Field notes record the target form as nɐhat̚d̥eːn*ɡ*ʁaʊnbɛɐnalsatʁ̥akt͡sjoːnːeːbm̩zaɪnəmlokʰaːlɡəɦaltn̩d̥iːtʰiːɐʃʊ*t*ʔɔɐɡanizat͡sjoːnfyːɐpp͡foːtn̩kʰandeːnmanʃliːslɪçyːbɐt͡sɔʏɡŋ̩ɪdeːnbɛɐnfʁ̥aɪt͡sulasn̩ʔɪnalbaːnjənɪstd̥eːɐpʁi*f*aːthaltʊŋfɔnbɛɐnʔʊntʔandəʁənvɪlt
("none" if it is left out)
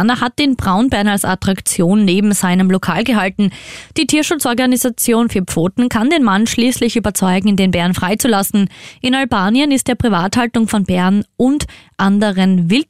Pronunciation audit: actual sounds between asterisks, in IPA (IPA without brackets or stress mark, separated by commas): b, t͡s, v